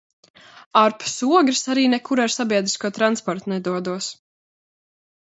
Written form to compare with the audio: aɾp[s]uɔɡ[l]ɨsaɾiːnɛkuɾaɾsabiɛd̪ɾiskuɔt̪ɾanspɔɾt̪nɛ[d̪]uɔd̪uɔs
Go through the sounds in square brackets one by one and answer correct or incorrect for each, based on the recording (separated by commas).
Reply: correct, incorrect, correct